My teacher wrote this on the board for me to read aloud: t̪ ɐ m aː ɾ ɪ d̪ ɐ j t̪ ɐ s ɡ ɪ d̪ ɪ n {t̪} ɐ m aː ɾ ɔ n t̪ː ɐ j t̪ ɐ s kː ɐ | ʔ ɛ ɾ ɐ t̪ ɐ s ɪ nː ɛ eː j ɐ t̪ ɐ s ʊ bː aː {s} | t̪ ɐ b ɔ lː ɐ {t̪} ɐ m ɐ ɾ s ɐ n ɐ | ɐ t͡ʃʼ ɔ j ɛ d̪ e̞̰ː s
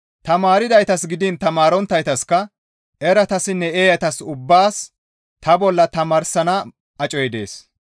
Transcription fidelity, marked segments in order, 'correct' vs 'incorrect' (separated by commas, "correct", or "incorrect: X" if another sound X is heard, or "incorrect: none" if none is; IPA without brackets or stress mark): correct, correct, correct